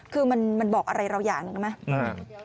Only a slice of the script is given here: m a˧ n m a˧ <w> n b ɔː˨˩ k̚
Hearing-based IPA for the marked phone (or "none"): none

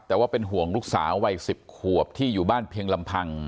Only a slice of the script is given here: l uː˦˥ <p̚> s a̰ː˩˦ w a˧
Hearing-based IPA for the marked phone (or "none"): k̚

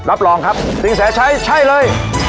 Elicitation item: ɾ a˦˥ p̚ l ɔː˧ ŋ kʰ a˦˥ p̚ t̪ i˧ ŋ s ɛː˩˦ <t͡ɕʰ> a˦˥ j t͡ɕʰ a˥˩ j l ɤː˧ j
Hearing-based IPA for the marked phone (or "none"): t͡ɕʰ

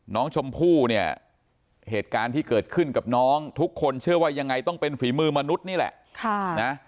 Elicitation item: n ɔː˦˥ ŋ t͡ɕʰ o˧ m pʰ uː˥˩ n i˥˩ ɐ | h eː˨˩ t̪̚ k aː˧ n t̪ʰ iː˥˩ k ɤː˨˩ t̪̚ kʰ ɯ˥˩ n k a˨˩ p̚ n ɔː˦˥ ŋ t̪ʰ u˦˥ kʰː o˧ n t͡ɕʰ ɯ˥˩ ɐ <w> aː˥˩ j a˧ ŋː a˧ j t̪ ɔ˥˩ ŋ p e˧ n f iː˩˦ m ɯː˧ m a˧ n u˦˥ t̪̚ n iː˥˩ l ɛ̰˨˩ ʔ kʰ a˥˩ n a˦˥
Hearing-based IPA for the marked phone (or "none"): w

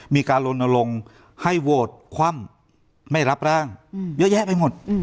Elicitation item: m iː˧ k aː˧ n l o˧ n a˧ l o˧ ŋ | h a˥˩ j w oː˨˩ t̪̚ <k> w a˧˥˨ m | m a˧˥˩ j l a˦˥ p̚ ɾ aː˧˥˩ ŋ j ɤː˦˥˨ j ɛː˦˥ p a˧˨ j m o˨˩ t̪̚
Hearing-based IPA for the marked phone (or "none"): kʰ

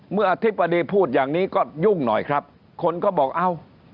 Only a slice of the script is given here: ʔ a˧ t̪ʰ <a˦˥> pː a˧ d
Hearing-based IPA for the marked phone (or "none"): i˦˥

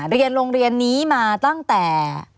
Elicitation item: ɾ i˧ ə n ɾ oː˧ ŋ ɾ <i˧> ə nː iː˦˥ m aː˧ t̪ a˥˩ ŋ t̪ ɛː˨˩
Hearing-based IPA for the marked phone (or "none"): i˧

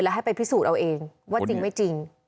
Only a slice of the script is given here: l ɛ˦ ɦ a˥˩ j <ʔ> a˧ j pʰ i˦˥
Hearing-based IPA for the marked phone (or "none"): p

